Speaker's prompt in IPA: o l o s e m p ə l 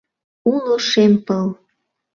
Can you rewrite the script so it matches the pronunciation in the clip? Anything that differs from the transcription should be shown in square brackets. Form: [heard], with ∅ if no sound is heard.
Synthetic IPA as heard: [u] l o [ʃ] e m p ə l